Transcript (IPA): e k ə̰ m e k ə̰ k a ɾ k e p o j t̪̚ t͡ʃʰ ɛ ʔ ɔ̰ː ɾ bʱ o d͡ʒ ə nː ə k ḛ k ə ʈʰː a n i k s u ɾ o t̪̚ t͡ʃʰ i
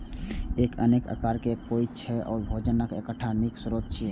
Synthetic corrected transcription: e k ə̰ n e k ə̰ k a ɾ k e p o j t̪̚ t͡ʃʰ ɛ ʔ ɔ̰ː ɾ bʱ o d͡ʒ ə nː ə k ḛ k ə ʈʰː a n i k s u ɾ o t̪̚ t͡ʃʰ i